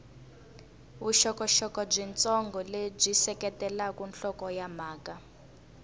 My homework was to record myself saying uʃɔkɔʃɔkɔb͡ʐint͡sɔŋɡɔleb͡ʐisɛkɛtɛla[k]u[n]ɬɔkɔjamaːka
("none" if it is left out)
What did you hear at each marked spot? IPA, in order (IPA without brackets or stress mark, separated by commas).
k, n